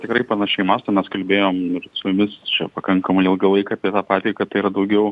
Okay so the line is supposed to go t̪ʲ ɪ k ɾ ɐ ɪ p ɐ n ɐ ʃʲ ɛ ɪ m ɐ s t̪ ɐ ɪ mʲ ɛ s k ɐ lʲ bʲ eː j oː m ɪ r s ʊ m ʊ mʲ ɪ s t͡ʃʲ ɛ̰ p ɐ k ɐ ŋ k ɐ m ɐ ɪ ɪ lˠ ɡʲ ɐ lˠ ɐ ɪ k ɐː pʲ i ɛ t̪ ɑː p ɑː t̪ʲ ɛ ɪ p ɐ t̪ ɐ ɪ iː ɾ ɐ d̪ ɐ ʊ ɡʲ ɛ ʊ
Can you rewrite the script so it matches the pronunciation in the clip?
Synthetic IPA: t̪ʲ ɪ k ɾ ɐ ɪ p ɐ n ɐ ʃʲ ɛ ɪ m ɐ s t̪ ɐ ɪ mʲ ɛ s k ɐ lʲ bʲ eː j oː m ɪ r s ʊ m ʊ mʲ ɪ s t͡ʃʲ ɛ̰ p ɐ k ɐ ŋ k ɐ m ɐ ɪ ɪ lˠ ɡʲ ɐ lˠ ɐ ɪ k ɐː pʲ i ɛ t̪ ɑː p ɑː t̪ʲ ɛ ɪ k ɐ t̪ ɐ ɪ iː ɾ ɐ d̪ ɐ ʊ ɡʲ ɛ ʊ